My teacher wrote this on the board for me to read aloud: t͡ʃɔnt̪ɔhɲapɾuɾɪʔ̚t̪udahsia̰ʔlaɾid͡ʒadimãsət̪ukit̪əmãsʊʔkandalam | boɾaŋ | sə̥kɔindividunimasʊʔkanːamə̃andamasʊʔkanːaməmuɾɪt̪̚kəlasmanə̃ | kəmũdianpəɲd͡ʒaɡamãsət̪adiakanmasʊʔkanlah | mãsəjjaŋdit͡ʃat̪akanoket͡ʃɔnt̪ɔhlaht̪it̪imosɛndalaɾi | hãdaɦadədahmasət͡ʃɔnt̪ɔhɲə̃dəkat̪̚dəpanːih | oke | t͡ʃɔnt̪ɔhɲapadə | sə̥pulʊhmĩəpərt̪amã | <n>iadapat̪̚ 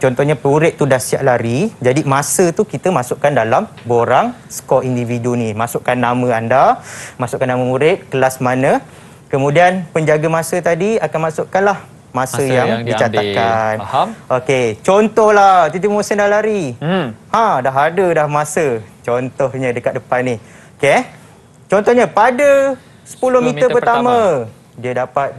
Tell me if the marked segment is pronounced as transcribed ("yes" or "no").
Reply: no